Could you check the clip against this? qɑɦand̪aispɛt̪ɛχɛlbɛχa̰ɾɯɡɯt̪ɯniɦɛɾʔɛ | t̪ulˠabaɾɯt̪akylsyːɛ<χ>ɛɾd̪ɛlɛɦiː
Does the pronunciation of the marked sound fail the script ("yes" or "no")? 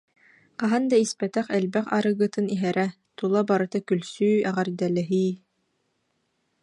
yes